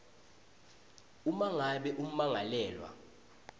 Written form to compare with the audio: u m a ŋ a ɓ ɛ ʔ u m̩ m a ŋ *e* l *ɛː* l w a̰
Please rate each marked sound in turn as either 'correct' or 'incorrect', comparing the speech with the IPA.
incorrect, correct

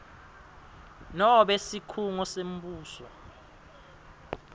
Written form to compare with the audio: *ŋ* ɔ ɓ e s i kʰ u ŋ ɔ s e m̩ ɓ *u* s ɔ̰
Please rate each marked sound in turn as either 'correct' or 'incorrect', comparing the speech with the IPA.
incorrect, incorrect

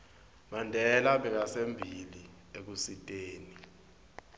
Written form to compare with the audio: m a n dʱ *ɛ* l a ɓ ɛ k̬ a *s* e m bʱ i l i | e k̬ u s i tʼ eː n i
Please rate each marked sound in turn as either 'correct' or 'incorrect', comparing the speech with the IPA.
correct, correct

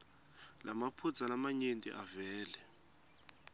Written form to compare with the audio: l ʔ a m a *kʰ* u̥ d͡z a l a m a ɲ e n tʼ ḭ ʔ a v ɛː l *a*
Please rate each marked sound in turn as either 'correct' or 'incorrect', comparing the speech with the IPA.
incorrect, incorrect

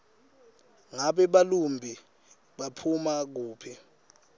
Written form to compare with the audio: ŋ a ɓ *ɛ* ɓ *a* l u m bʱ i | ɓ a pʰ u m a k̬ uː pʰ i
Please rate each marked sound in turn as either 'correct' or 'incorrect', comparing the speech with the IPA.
correct, correct

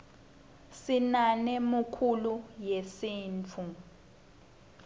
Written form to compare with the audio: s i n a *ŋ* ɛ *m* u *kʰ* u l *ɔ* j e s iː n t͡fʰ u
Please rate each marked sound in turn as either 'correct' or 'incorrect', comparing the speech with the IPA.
incorrect, correct, correct, incorrect

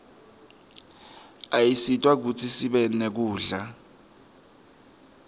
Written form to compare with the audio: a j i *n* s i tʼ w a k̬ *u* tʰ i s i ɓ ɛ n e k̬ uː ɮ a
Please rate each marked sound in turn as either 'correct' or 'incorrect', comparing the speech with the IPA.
incorrect, correct

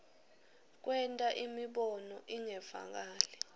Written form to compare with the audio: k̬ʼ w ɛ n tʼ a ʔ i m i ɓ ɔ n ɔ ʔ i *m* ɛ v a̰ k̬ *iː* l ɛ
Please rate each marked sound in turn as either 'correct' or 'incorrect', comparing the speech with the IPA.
incorrect, incorrect

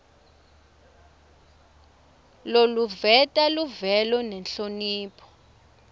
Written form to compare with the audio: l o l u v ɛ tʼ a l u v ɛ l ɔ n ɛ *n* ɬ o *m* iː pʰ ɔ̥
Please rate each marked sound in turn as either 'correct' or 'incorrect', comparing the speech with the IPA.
correct, incorrect

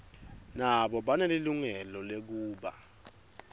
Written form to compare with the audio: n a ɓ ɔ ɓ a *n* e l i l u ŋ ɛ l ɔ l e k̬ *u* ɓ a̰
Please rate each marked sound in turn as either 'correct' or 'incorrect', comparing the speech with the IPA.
correct, incorrect

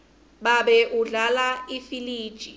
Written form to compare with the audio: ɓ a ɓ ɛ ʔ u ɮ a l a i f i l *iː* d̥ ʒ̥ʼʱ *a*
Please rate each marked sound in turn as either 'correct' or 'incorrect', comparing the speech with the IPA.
correct, incorrect

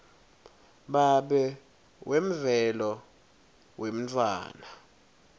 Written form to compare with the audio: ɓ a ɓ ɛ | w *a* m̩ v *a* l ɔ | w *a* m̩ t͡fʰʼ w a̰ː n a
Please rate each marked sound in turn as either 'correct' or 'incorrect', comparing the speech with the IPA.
incorrect, incorrect, incorrect

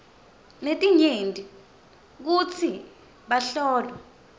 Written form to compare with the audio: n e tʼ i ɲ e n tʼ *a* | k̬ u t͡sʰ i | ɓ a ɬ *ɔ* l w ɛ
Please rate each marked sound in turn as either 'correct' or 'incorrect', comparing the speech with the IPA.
incorrect, incorrect

